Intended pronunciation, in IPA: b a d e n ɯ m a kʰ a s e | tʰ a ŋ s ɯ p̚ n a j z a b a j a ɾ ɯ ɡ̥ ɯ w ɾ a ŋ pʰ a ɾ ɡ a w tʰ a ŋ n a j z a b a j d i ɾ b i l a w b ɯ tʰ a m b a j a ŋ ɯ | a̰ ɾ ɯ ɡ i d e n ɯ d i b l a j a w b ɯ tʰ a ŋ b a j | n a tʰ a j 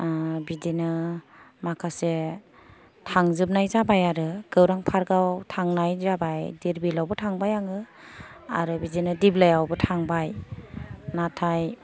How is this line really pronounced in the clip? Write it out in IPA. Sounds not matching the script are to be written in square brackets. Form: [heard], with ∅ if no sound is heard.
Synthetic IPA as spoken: b [i] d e n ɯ m a kʰ a s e | tʰ a ŋ [z] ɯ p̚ n a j z a b a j a ɾ ɯ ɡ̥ ɯ w ɾ a ŋ pʰ a ɾ ɡ a w tʰ a ŋ n a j z a b a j d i ɾ b i l a w b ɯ tʰ a [ŋ] b a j a ŋ ɯ | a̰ ɾ ɯ [b] i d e n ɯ d i b l a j a w b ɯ tʰ a ŋ b a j | n a tʰ a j